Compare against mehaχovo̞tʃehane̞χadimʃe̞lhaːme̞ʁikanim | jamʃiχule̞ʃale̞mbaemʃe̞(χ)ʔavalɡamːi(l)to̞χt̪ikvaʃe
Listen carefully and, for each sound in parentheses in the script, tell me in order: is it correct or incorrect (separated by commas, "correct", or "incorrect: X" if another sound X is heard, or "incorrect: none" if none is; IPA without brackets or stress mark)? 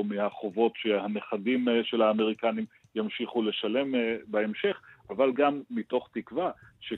correct, incorrect: none